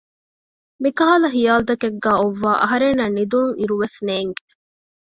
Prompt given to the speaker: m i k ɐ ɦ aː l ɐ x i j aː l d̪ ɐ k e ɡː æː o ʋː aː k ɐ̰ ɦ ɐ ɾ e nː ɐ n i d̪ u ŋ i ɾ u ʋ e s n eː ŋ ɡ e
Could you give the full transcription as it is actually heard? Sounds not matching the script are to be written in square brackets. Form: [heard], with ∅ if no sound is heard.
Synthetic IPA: m i k ɐ ɦ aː l ɐ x i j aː l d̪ ɐ k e ɡː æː o ʋː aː [ʔ] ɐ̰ ɦ ɐ ɾ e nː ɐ n i d̪ u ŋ i ɾ u ʋ e s n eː ŋ ɡ e